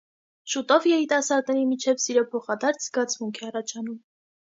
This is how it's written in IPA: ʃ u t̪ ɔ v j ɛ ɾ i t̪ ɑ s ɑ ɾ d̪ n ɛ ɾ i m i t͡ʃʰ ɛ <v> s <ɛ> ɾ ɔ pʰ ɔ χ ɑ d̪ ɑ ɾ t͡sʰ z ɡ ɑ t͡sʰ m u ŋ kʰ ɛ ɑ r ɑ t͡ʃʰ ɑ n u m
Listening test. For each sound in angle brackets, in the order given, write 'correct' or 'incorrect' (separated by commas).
correct, incorrect